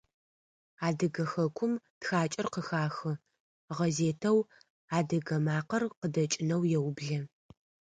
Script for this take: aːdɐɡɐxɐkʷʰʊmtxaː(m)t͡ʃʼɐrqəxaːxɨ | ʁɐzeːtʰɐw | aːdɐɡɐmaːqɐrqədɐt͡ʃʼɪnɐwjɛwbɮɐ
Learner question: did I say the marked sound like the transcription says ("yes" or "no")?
no